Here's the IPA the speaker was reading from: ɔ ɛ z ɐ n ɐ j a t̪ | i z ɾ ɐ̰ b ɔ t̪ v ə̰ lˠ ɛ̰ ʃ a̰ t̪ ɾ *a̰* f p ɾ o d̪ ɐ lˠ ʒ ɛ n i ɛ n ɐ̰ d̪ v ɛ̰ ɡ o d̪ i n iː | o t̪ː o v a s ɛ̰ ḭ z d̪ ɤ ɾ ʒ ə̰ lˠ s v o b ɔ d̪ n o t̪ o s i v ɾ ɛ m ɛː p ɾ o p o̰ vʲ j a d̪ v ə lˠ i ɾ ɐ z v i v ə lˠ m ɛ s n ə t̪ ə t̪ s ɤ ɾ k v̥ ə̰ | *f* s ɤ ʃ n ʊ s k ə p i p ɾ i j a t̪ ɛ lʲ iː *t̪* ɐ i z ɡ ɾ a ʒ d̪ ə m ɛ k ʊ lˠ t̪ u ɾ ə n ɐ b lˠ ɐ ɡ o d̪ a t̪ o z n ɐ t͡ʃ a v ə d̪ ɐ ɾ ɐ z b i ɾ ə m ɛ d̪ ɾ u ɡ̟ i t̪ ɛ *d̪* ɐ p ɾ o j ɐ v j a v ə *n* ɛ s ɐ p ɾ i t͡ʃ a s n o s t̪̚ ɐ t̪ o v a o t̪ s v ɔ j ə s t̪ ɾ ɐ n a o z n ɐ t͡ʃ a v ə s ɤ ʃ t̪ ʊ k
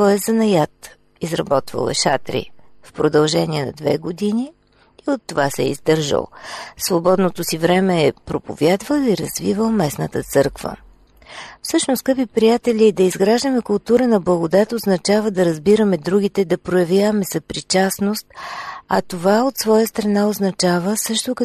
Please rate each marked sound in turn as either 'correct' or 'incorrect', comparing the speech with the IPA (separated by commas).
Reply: incorrect, correct, incorrect, correct, incorrect